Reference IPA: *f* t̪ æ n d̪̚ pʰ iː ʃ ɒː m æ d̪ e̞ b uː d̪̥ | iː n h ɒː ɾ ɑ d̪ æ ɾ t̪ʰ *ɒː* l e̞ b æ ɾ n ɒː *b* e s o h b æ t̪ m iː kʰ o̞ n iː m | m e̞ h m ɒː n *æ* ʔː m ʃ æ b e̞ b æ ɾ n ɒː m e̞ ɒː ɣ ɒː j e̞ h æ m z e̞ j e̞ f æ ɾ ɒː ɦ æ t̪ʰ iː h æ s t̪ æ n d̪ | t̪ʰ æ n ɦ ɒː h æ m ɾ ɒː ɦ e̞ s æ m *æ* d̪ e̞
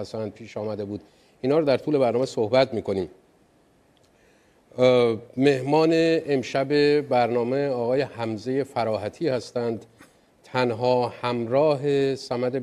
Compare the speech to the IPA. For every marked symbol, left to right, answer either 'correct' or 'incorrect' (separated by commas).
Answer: incorrect, incorrect, incorrect, incorrect, correct